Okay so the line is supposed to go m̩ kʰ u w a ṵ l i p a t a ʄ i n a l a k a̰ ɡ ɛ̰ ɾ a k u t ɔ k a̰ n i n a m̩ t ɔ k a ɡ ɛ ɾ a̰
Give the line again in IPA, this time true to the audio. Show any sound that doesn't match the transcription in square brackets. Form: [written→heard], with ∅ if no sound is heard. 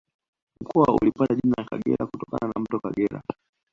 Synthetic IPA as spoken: m̩ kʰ [u→ɔ] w a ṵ l i p a t a ʄ i n a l a k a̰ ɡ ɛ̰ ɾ a k u t ɔ k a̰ n [i→a] n a m̩ t ɔ k a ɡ ɛ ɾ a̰